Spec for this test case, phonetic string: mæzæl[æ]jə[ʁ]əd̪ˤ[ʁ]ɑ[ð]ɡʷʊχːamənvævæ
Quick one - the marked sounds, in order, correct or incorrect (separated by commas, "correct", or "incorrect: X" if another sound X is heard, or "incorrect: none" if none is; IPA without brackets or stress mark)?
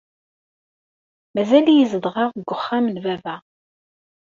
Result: incorrect: i, incorrect: z, correct, incorrect: ʁ